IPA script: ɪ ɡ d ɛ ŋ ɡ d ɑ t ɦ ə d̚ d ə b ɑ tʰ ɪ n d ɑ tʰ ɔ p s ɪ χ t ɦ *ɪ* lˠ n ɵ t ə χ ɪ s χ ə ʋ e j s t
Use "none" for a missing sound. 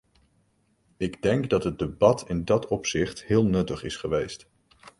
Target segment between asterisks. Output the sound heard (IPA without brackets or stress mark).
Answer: ɪː